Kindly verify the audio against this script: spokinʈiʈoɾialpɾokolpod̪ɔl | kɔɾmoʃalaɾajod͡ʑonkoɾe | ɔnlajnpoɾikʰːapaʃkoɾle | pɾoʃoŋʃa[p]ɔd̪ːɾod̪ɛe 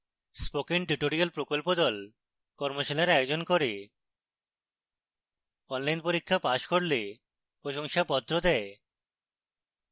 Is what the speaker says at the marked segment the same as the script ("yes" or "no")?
yes